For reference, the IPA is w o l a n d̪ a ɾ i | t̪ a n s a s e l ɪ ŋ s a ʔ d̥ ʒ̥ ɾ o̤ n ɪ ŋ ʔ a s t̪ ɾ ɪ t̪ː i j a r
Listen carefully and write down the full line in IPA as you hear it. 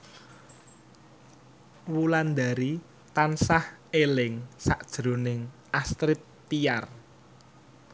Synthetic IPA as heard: w u l a n d̪ a ɾ i | t̪ a n s a h e l ɪ ŋ s a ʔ d̥ ʒ̥ ɾ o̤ n ɪ ŋ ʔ a s t̪ ɾ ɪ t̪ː i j a r